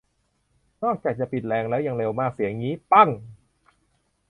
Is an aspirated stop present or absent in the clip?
absent